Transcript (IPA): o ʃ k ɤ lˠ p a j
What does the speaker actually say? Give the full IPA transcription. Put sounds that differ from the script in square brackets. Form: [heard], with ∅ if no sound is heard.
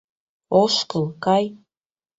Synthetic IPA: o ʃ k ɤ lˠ [k] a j